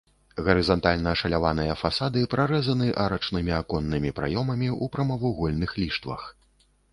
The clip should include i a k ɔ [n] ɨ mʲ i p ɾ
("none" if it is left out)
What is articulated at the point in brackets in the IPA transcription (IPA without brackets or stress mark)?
nː